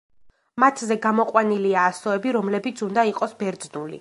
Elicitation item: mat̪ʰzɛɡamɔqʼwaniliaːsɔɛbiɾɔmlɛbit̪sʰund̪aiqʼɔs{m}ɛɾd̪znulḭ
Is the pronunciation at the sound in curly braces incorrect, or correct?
incorrect